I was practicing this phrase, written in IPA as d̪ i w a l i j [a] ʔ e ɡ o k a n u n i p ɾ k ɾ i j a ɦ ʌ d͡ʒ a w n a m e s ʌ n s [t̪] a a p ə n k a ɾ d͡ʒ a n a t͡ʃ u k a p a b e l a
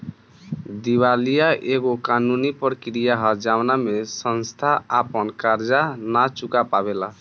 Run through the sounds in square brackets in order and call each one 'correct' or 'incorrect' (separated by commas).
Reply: correct, incorrect